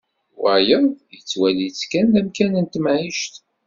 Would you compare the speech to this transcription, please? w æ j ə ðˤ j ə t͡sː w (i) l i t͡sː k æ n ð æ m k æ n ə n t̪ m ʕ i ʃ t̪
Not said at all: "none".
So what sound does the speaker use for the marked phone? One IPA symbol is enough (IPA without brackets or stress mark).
æ